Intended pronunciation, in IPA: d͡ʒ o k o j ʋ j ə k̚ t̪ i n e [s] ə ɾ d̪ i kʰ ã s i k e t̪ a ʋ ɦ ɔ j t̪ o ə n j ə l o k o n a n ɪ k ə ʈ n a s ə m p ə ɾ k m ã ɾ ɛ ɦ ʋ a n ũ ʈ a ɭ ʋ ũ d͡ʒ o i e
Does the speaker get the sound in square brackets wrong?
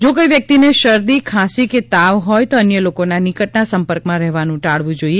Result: yes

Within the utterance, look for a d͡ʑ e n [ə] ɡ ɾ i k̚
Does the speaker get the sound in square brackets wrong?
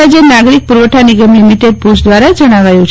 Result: yes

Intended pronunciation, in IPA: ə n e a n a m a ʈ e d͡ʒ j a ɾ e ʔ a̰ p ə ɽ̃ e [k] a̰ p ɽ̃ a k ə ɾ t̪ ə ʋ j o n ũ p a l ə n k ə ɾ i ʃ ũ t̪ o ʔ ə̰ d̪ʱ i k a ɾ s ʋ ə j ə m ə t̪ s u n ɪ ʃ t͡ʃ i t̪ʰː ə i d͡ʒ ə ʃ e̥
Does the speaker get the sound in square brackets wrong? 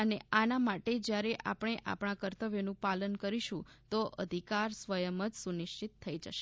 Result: yes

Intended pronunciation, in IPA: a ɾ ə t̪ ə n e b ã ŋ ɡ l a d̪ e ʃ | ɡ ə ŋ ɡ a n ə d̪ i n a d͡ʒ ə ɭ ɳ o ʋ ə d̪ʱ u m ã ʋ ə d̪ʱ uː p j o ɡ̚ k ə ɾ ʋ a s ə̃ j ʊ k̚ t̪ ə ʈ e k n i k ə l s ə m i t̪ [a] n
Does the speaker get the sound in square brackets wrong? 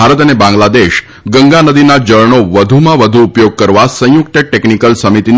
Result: yes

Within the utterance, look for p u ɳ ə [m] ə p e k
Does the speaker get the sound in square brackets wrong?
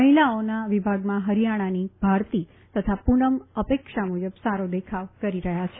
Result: no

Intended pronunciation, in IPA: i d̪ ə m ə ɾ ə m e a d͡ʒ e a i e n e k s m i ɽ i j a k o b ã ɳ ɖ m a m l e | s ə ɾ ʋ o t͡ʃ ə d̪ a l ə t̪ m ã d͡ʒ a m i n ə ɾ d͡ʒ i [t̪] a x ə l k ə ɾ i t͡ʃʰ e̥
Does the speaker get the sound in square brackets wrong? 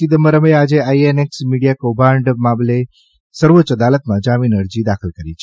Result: yes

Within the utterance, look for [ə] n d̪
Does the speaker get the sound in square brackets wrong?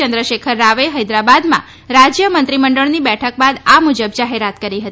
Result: no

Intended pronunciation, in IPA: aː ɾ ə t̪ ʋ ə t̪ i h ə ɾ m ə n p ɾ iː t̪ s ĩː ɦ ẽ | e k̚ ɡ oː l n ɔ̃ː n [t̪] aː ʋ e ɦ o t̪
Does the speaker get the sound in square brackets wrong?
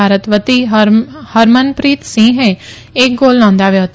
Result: yes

